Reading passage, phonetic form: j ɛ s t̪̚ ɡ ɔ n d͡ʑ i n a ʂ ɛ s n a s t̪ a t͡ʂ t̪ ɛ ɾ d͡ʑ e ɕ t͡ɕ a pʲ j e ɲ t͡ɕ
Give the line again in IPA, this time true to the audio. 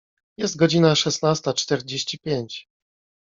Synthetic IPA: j ɛ s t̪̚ ɡ ɔ d͡ʑ i n a ʂ ɛ s n a s t̪ a t͡ʂ t̪ ɛ ɾ d͡ʑ e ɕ t͡ɕ i pʲ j e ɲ t͡ɕ